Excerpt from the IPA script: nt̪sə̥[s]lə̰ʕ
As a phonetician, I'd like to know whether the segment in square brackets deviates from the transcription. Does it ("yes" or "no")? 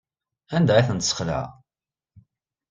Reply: yes